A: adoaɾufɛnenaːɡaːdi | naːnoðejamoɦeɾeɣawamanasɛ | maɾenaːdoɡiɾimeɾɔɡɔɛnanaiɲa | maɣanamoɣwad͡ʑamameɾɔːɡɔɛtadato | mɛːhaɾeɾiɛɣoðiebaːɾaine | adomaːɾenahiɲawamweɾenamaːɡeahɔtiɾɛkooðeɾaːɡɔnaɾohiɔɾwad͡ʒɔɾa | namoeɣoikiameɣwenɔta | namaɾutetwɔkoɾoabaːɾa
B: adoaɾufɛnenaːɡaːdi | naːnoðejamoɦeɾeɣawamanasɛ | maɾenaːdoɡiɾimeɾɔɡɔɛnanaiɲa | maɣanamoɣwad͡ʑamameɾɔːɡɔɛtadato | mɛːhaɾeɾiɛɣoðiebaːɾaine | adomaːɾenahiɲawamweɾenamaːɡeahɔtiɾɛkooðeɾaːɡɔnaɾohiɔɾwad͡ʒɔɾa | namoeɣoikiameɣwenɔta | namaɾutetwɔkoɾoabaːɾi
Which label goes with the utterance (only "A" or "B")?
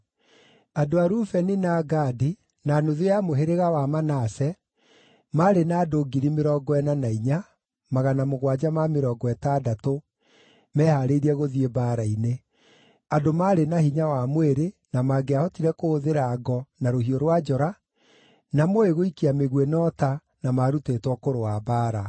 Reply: A